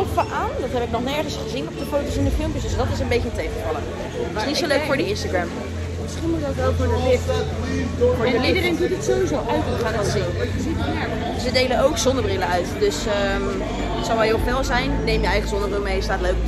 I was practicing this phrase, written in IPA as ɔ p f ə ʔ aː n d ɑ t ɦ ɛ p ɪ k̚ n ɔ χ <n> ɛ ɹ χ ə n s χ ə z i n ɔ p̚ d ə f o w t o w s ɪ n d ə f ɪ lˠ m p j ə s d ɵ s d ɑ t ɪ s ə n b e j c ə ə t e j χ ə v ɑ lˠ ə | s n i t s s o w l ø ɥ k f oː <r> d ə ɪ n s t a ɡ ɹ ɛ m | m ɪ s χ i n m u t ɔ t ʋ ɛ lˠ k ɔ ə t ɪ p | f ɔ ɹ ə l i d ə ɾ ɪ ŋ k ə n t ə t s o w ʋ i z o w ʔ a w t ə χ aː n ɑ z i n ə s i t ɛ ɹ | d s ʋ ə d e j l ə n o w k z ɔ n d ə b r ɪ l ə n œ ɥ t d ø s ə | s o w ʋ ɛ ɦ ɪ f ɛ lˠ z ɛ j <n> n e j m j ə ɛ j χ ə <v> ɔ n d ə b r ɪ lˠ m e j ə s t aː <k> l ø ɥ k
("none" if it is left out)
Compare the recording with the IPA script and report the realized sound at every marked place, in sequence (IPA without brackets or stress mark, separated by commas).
n, ɹ, n, z, t